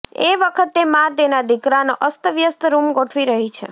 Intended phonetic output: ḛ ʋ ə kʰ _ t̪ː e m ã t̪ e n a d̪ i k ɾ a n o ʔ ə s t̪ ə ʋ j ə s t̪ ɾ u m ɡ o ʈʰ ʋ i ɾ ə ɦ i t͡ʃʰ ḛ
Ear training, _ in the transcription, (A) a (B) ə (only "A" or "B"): B